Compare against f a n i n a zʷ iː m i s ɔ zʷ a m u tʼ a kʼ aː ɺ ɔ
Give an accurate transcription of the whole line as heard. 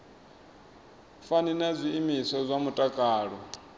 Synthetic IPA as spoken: f a n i n a zʷ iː m i s ɔ zʷ a m u tʼ a kʼ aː ɺ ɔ

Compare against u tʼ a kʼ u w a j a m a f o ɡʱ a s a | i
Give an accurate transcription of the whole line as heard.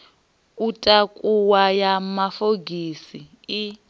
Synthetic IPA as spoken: u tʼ a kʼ u w a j a m a f o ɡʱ i s i | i

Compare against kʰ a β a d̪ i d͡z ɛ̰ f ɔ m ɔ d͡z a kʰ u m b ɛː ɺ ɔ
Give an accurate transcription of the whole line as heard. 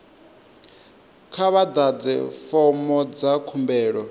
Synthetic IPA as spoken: kʰ a β a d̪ a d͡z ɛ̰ f ɔ m ɔ d͡z a kʰ u m b ɛː ɺ ɔ

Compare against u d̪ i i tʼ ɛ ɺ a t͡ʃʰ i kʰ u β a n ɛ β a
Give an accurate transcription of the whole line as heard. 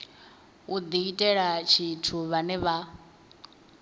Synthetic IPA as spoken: u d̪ i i tʼ ɛ ɺ a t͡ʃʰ i tʰ u β a n ɛ β a

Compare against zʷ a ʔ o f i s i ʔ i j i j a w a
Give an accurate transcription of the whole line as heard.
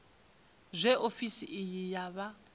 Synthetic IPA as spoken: zʷ ɛ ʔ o f i s i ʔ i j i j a β a

